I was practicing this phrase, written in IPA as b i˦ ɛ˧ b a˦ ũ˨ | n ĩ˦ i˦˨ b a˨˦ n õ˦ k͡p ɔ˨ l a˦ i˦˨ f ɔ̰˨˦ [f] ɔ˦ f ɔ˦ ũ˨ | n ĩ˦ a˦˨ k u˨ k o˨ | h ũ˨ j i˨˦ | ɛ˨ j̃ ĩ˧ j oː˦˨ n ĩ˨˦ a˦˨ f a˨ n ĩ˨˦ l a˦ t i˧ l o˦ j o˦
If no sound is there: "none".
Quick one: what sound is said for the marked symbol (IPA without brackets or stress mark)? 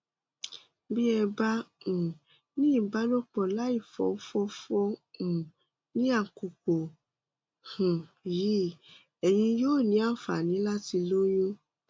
f